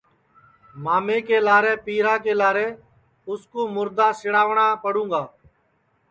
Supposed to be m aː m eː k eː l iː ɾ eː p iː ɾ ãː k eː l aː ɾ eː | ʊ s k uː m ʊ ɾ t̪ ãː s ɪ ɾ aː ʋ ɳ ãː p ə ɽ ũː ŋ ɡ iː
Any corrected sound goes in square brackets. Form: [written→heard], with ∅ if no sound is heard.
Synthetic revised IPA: m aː m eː k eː l [iː→aː] ɾ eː p iː ɾ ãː k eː l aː ɾ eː | ʊ s k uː m ʊ ɾ [t̪→d̪] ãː s ɪ [ɾ→ɽ] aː ʋ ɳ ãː p ə ɽ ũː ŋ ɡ [iː→aː]